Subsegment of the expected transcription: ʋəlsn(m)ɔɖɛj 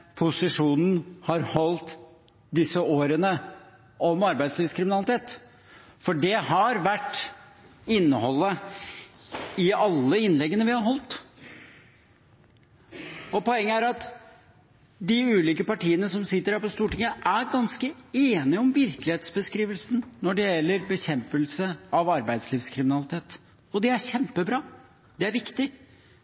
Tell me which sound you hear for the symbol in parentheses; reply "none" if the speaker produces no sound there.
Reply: n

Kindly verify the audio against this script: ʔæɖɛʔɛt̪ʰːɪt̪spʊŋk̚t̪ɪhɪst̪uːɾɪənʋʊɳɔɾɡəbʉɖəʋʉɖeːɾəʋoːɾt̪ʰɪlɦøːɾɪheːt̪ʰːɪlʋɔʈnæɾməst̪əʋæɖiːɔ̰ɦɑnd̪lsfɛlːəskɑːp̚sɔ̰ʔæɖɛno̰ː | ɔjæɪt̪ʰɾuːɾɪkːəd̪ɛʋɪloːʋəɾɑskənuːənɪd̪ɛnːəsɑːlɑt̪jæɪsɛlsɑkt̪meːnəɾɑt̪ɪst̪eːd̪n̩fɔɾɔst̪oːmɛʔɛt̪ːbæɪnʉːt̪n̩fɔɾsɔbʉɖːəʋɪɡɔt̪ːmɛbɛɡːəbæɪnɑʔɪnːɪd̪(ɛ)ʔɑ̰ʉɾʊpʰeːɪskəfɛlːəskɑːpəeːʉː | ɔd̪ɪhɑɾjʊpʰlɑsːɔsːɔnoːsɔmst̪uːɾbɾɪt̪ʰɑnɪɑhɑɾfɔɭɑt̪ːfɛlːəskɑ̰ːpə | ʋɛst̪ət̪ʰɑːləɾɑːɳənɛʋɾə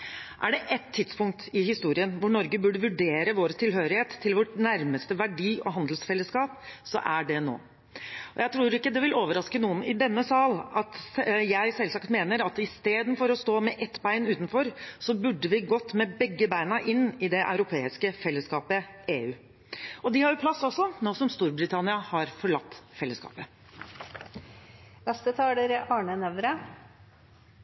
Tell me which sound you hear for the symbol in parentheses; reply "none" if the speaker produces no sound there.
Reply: ɛ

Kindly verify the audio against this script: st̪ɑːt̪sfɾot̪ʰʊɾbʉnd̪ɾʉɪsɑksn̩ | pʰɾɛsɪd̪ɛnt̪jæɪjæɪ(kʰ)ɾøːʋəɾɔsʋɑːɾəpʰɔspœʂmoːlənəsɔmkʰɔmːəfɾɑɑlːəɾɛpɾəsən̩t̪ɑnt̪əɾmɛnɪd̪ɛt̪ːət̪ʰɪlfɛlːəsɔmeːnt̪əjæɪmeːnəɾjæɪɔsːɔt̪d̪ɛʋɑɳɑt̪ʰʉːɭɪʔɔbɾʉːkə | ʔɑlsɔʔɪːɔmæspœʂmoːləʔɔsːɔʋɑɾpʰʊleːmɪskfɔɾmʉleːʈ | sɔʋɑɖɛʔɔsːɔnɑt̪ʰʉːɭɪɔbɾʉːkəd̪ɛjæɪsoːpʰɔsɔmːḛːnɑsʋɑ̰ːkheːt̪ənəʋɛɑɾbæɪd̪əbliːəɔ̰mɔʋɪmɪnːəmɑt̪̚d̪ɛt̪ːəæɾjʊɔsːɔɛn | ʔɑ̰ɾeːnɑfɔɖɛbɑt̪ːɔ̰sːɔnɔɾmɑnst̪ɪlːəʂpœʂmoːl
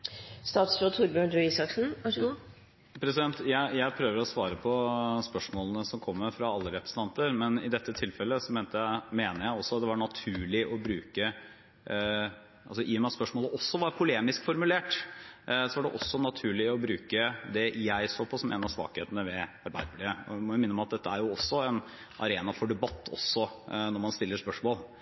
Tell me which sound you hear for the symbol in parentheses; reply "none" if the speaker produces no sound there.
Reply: pʰ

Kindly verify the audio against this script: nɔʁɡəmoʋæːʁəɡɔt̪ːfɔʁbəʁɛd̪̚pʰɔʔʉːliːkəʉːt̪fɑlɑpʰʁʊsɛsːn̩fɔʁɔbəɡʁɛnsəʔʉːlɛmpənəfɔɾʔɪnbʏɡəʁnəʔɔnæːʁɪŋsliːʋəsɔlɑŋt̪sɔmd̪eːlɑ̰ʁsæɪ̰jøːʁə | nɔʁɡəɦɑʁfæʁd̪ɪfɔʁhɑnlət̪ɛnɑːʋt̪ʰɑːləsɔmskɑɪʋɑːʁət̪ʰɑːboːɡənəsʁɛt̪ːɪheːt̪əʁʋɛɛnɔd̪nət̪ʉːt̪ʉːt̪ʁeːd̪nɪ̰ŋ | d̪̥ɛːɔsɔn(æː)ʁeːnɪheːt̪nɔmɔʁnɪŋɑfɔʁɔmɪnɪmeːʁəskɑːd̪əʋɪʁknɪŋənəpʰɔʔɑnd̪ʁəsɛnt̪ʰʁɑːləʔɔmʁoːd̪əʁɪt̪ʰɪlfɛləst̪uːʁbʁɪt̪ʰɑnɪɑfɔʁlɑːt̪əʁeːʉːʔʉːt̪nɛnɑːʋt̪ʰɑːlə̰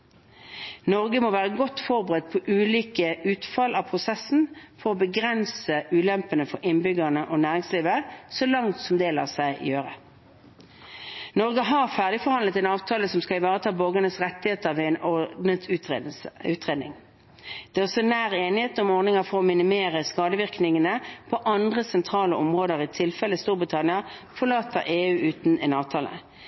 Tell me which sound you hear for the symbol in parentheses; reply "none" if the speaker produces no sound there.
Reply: æː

